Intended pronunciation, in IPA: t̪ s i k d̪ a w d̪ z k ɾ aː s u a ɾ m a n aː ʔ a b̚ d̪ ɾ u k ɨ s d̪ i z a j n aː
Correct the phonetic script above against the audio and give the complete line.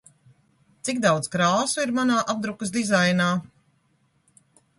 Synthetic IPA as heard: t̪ s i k d̪ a w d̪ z k ɾ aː s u i ɾ m a n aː ʔ a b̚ d̪ ɾ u k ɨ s d̪ i z a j n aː